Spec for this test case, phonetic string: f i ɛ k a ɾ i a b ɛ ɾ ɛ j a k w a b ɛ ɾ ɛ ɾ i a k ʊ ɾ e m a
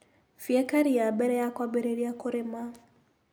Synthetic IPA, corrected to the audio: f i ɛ k a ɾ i a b ɛ ɾ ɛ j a k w a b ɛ ɾ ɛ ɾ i a k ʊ ɾ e m a

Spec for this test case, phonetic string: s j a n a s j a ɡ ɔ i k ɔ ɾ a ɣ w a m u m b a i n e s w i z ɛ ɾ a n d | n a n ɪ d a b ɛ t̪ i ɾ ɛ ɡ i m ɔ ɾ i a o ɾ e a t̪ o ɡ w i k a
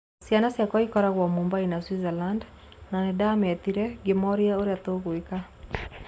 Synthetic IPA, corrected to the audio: s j a n a s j a k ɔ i k ɔ ɾ a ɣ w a m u m b a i n a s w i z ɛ l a n d | n a n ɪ d a m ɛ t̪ i ɾ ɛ ɡ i m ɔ ɾ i a o ɾ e a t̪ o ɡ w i k a

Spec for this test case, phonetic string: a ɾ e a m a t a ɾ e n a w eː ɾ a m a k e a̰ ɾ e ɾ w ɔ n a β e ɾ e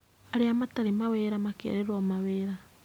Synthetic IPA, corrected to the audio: a ɾ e a m a t a ɾ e m a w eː ɾ a m a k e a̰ ɾ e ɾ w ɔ m a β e ɾ a

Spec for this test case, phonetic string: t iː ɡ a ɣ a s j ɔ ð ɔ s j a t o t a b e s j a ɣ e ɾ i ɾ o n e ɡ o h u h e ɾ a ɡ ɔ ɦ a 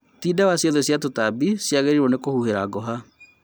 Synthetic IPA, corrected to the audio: t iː d a w a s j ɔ ð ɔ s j a t o t a b i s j a ɣ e ɾ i ɾ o n e k o h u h e ɾ a ɡ ɔ ɦ a

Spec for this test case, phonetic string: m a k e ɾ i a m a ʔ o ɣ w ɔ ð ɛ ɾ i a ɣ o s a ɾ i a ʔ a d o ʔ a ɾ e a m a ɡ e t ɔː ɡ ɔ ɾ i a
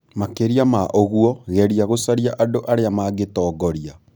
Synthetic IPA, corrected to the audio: m a k e ɾ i a m a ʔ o ɣ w ɔ ɣ ɛ ɾ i a ɣ o s a ɾ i a ʔ a d o ʔ a ɾ e a m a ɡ e t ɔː ɡ ɔ ɾ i a

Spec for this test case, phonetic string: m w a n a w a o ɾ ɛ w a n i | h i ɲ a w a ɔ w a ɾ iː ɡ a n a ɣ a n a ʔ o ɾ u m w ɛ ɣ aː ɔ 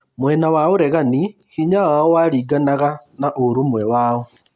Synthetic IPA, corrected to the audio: m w ɛ n a w a o ɾ ɛ ɣ a n i | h i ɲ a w a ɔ w a ɾ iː ɡ a n a ɣ a n a ʔ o ɾ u m w ɛ w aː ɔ

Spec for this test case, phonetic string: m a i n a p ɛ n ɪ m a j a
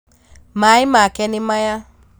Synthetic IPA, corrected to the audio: m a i m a k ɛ n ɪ m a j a

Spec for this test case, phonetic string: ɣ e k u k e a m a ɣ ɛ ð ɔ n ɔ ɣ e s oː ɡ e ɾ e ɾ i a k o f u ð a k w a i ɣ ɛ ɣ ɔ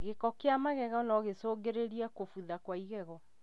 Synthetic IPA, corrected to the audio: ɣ e k ɔ k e a m a ɣ ɛ ɣ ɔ n ɔ ɣ e s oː ɡ e ɾ e ɾ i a k o f u ð a k w a i ɣ ɛ ɣ ɔ

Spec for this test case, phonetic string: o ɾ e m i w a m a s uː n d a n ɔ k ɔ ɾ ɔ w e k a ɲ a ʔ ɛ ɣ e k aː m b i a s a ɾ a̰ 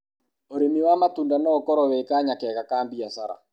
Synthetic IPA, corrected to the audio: o ɾ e m i w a m a t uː n d a n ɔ k ɔ ɾ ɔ w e k a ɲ a k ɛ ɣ a k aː m b i a s a ɾ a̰

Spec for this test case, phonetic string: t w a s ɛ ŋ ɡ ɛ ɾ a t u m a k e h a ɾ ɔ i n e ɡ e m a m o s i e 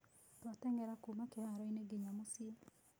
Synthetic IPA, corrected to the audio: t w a t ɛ ŋ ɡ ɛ ɾ a k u m a k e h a ɾ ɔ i n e ɡ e ɲ a m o s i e

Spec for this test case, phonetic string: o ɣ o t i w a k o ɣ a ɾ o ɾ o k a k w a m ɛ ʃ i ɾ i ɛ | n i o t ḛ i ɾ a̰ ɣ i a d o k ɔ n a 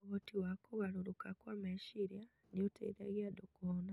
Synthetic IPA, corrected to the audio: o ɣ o t i w a k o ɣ a ɾ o ɾ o k a k w a m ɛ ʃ i ɾ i a | n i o t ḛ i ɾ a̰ ɣ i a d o k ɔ n a

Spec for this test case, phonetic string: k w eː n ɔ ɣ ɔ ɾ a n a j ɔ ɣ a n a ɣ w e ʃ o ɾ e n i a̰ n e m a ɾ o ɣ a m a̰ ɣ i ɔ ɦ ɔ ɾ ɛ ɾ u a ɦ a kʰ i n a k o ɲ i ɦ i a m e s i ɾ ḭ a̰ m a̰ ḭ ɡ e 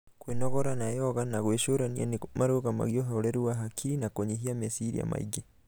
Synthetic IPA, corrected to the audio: k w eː n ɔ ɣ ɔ ɾ a n a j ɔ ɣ a n a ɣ w e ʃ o ɾ a n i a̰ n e m a ɾ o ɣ a m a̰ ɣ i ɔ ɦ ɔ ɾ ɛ ɾ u a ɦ a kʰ i n a k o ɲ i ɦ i a m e s i ɾ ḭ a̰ m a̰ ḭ ɡ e

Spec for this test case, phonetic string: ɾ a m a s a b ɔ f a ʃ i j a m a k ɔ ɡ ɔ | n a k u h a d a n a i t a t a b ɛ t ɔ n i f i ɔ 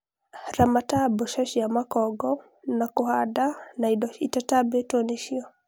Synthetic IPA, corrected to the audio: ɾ a m a t a b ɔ ʃ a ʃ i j a m a k ɔ ɡ ɔ | n a k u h a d a n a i t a t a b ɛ t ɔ n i ʃ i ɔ

